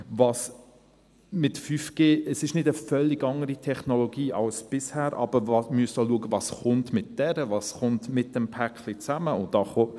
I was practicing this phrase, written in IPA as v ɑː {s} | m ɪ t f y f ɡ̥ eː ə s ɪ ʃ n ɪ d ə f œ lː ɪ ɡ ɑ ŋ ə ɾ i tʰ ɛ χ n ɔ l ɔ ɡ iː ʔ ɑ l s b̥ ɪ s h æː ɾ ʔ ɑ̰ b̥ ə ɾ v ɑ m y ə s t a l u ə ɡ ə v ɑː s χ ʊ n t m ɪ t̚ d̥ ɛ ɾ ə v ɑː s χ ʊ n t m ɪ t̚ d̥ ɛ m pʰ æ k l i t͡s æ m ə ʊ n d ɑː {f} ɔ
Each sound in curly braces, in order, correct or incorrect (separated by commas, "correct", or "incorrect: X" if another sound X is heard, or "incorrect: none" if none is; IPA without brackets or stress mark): correct, incorrect: χ